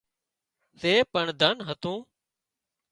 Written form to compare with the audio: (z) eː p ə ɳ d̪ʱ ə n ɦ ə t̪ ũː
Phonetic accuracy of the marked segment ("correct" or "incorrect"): incorrect